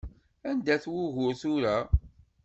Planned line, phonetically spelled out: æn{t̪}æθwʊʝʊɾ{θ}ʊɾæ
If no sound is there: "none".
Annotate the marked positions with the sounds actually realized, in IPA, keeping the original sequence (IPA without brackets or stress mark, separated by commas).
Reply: d̪, θ